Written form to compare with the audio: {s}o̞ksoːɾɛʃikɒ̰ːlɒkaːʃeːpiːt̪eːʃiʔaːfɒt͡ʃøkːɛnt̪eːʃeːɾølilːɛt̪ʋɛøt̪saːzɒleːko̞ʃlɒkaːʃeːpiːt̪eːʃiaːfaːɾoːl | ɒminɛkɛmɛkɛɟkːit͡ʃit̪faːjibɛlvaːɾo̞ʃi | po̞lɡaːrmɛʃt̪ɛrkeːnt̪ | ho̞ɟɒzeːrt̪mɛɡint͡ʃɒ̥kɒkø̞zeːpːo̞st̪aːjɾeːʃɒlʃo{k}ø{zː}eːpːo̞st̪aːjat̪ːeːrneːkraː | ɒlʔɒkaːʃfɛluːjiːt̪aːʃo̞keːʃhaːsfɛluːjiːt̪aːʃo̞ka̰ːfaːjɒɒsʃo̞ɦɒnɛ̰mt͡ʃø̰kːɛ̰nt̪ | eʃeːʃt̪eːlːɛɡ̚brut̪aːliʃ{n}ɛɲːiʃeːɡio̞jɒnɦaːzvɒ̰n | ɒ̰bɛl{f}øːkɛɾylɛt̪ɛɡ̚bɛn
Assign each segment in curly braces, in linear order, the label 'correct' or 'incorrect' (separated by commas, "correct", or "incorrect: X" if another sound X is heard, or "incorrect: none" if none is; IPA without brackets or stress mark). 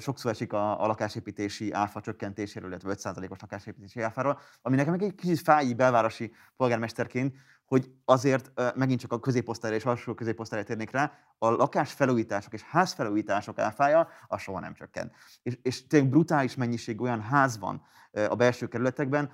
incorrect: ʃ, correct, incorrect: z, incorrect: m, incorrect: ʃ